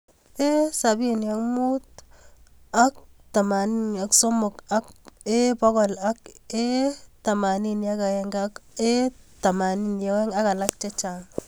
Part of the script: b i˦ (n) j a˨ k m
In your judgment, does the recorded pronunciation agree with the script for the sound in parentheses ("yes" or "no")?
yes